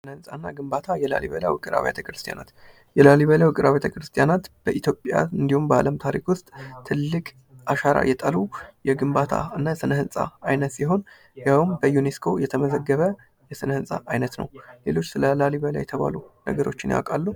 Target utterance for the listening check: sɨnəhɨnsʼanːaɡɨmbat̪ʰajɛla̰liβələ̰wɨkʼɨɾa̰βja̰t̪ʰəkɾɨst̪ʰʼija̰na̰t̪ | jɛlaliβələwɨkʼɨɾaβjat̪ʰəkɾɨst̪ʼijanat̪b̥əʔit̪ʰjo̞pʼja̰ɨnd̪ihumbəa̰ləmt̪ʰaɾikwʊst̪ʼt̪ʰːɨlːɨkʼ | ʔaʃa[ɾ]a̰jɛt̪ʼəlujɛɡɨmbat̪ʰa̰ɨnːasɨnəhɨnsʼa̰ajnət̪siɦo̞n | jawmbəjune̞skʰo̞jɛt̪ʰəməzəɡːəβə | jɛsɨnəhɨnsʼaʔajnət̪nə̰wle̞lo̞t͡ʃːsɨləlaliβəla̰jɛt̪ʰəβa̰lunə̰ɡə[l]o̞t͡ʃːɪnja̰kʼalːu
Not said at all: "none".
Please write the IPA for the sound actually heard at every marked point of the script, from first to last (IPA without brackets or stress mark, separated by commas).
ɾ, ɾ